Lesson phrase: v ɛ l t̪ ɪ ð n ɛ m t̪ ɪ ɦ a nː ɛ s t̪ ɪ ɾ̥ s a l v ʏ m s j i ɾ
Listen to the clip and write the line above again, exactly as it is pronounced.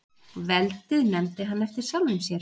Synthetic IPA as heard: v ɛ l t̪ ɪ ð n ɛ m t̪ ɪ ɦ a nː ɛ f t̪ ɪ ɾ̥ s a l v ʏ m s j ɛ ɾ